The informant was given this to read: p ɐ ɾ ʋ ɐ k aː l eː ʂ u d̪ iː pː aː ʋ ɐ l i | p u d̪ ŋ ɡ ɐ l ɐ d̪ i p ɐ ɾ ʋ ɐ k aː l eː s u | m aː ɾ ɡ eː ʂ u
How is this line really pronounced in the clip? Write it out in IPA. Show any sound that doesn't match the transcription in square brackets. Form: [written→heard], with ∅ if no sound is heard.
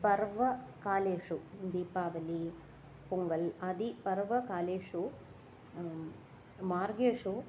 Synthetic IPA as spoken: p ɐ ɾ ʋ ɐ k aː l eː ʂ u d̪ iː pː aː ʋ ɐ l i | p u [d̪→∅] ŋ ɡ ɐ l ɐ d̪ i p ɐ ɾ ʋ ɐ k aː l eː [s→ʂ] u | m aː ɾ ɡ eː ʂ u

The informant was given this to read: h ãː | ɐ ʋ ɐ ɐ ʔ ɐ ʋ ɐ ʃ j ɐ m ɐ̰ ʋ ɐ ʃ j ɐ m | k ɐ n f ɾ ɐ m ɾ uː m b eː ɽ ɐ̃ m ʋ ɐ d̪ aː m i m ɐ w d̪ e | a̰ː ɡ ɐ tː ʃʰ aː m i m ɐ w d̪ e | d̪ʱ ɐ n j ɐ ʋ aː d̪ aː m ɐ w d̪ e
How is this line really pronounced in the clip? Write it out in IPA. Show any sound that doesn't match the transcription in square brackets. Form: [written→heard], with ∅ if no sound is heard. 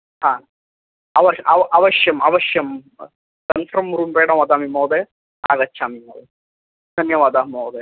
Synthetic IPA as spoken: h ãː | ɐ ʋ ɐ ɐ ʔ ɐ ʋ ɐ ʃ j ɐ m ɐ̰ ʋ ɐ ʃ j ɐ m | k ɐ n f ɾ ɐ m ɾ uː m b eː ɽ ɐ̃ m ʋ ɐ d̪ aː m i m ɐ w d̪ e | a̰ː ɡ ɐ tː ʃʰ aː m i m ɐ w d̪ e | d̪ʱ ɐ n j ɐ ʋ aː d̪ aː m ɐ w d̪ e

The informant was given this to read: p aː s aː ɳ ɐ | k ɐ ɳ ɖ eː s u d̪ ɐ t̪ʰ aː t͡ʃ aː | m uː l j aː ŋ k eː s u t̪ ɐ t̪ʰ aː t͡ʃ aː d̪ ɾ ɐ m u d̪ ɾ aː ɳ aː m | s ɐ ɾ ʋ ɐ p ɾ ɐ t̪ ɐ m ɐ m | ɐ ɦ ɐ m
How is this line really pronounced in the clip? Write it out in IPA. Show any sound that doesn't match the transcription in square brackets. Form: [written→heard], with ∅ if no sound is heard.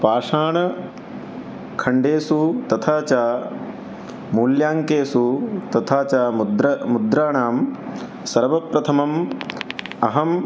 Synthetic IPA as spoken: p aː [s→ʂ] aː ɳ ɐ | [k→kʰ] ɐ ɳ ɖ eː s u [d̪→t̪] ɐ t̪ʰ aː t͡ʃ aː | m uː l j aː ŋ k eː s u t̪ ɐ t̪ʰ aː t͡ʃ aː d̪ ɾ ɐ m u d̪ ɾ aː ɳ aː m | s ɐ ɾ ʋ ɐ p ɾ ɐ [t̪→t̪ʰ] ɐ m ɐ m | ɐ ɦ ɐ m

